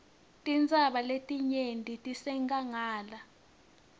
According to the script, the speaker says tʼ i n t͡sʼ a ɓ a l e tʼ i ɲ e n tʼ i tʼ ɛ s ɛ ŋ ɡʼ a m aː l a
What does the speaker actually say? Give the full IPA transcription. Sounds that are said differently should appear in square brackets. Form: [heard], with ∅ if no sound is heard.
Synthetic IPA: tʼ i n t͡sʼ a ɓ a l e tʼ i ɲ e n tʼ i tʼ [i] s ɛ ŋ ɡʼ a [ŋ] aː l a